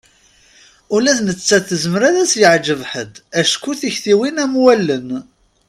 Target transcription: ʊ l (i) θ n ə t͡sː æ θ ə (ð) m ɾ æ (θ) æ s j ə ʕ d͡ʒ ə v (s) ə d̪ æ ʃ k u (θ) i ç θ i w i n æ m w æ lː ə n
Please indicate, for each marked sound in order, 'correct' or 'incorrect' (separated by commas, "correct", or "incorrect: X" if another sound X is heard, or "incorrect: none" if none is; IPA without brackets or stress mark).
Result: incorrect: æ, incorrect: z, incorrect: ð, incorrect: ħ, correct